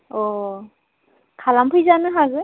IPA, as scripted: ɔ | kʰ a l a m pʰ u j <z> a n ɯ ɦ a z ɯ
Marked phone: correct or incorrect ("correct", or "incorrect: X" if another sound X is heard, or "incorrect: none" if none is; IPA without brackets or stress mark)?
correct